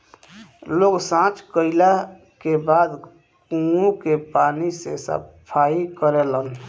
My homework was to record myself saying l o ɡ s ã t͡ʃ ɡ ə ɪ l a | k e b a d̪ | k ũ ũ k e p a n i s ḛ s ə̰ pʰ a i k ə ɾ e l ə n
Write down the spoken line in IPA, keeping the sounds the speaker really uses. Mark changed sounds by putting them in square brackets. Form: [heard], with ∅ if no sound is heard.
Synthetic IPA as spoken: l o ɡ s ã t͡ʃ [k] ə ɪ l a | k e b a d̪ | k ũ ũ k e p a n i s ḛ s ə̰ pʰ a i k ə ɾ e l ə n